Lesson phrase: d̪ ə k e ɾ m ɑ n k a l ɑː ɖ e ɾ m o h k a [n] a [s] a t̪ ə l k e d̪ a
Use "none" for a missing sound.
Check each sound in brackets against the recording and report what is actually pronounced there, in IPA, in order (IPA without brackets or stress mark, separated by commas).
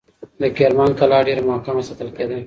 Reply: m, s